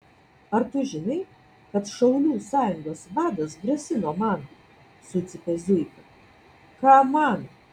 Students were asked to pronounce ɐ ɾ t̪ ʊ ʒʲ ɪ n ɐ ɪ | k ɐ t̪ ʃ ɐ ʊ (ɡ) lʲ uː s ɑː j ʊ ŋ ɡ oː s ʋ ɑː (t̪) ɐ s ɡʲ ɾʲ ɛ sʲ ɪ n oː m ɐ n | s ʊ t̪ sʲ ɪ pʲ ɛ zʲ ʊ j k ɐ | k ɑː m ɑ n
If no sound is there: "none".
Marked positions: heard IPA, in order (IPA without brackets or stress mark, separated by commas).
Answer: none, d̪